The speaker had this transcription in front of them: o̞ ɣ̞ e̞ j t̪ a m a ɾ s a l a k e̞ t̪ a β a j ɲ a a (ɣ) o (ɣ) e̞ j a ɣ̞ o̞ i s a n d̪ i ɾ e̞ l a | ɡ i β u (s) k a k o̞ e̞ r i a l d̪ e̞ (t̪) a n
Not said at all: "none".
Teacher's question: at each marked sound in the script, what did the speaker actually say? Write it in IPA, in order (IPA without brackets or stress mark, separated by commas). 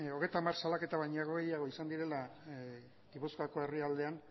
ɣ, ɣ, s, none